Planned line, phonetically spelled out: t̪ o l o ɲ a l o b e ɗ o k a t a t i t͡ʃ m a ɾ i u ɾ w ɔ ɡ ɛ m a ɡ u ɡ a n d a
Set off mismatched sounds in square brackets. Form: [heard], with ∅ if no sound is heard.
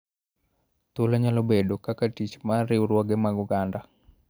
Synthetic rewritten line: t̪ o l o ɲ a l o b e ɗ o k a [k] a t i t͡ʃ m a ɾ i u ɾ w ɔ ɡ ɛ m a ɡ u ɡ a n d a